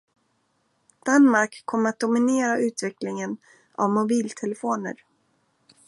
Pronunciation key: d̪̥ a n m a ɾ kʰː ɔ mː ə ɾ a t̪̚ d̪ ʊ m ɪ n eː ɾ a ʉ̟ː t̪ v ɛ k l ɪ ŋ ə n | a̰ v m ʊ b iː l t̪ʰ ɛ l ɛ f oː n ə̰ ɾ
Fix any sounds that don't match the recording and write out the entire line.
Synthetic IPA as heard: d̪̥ a n m a ɾ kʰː ɔ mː ə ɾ a t̪̚ d̪ ʊ m ɪ n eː ɾ a ʉ̟ː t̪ v ɛ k l ɪ ŋ ə n | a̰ v m ʊ b iː l t̪ʰ ɛ l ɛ f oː n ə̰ ɾ